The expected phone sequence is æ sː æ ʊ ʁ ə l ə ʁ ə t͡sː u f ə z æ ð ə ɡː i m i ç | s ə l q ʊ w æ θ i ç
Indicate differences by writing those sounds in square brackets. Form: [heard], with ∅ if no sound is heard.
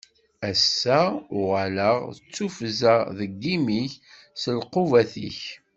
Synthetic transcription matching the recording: æ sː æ ʊ ʁ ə l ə ʁ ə t͡sː u f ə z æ ð ə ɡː i m i ç | s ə l q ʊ [v] æ θ i ç